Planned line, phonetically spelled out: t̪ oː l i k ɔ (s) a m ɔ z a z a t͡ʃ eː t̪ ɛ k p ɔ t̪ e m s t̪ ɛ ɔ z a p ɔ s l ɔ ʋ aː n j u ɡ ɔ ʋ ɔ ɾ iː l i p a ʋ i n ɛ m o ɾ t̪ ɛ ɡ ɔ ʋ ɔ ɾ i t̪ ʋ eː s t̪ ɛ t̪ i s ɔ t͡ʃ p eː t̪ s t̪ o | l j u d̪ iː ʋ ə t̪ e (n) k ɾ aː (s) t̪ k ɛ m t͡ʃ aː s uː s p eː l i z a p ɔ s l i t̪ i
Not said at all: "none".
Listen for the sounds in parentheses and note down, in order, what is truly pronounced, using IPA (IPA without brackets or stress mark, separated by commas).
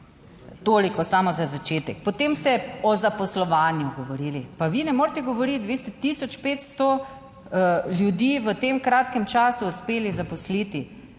s, m, none